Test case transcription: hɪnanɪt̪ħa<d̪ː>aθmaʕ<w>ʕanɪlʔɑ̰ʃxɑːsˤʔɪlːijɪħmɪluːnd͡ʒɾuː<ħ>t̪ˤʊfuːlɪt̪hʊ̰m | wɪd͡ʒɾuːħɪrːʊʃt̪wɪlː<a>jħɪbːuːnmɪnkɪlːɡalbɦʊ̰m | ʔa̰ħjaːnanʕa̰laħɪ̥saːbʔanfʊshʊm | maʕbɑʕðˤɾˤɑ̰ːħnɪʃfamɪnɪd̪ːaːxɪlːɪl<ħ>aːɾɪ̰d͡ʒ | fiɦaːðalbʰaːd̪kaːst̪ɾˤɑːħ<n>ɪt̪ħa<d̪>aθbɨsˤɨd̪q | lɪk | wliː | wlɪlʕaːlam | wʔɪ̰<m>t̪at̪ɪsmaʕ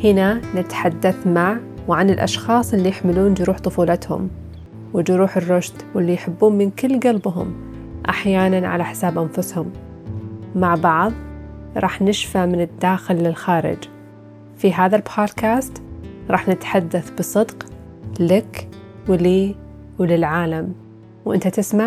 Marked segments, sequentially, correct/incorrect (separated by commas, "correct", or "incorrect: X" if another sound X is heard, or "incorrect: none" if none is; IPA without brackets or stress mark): correct, correct, correct, incorrect: i, incorrect: x, correct, incorrect: d̪ː, incorrect: n